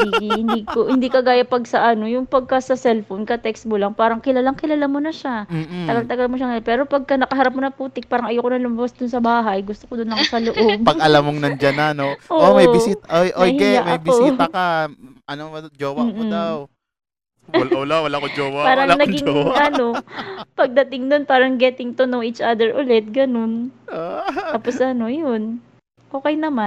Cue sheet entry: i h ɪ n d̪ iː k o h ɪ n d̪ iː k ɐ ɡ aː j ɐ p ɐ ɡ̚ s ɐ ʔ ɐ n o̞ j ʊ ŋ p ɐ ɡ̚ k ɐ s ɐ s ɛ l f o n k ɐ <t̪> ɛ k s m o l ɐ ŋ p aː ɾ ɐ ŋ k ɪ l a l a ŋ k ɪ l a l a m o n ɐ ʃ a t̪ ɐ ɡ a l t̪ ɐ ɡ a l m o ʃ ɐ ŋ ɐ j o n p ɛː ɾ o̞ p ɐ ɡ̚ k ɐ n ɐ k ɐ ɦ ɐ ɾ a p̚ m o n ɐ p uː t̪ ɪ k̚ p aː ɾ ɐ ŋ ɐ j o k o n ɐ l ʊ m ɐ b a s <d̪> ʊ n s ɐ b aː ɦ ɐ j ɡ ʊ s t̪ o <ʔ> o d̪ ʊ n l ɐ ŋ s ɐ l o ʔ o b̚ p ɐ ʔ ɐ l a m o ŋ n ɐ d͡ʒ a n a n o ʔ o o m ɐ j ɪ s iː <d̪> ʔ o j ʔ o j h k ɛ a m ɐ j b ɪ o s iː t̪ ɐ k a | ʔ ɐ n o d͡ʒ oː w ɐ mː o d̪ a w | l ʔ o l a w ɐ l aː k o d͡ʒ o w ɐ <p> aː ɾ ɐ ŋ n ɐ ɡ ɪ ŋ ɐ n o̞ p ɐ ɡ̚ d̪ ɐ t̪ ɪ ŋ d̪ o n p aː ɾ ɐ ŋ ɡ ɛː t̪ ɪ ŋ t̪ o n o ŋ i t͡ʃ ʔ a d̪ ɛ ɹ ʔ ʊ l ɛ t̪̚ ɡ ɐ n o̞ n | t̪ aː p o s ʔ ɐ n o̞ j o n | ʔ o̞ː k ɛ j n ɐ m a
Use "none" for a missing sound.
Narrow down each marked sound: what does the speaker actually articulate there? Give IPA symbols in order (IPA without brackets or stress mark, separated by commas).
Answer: t̪, d̪, k, t̪, p